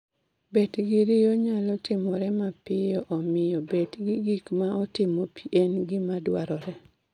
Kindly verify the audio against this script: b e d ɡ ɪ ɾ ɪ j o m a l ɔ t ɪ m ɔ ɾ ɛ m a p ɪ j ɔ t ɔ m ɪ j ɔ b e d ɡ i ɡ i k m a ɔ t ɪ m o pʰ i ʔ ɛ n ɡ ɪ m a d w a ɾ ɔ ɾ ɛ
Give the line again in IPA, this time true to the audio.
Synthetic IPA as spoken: b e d ɡ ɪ ɾ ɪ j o ɲ a l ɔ t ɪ m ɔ ɾ ɛ m a p ɪ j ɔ ʔ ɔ m ɪ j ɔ b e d ɡ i ɡ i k m a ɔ t ɪ m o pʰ i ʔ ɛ n ɡ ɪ m a d w a ɾ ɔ ɾ ɛ